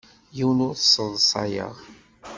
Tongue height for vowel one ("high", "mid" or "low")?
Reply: high